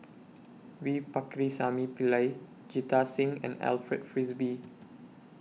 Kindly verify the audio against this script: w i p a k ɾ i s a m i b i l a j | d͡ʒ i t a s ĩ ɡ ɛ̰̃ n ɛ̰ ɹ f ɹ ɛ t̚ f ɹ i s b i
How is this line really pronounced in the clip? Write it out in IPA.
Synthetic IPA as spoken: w i p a k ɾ i s a m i p i l a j | d͡ʒ i t a s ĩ ŋ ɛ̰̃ n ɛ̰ l f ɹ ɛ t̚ f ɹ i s b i